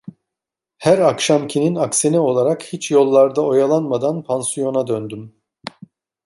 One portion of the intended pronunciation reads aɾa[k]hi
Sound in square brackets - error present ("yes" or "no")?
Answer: no